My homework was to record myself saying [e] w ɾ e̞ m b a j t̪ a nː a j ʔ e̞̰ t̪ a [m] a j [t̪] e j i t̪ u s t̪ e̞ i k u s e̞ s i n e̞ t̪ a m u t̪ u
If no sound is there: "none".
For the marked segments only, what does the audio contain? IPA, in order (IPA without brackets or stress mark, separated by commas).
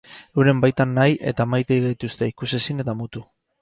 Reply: e, m, t̪